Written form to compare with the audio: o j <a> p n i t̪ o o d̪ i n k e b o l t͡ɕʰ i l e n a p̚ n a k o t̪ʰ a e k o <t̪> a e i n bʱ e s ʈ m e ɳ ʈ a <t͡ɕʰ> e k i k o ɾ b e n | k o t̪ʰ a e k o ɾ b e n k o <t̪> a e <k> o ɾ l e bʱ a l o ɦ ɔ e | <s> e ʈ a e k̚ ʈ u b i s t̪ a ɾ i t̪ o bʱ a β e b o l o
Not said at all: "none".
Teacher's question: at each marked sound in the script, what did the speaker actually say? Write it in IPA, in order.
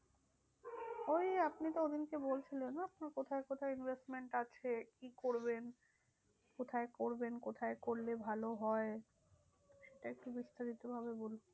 a, t̪ʰ, t͡ɕʰ, t̪ʰ, k, ʃ

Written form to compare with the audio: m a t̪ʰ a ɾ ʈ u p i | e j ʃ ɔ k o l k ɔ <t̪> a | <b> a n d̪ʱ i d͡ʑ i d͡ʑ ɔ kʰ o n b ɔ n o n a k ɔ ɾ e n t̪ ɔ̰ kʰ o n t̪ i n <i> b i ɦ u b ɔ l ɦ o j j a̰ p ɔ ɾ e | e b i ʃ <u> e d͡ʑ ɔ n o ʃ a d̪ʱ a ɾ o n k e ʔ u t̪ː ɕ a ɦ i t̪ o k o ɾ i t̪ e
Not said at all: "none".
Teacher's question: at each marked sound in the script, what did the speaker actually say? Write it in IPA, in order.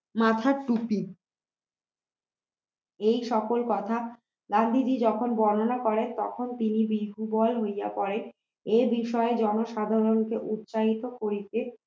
t̪ʰ, ɡ, i, ɔ

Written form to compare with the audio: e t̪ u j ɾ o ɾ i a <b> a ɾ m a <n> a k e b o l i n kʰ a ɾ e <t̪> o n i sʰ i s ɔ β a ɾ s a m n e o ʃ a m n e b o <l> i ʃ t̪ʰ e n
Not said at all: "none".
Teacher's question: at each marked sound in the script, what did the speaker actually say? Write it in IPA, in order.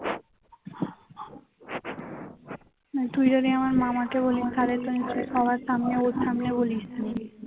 m, m, t̪, l

